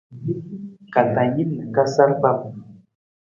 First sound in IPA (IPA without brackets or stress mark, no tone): k